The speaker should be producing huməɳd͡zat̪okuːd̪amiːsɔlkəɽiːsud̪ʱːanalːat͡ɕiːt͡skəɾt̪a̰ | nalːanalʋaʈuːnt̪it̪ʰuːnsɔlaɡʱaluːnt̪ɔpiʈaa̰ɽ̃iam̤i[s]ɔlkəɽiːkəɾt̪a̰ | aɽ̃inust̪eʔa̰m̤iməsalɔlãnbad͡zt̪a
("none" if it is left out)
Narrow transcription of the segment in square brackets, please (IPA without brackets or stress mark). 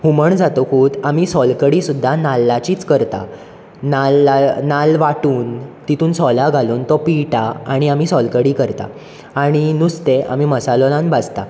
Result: s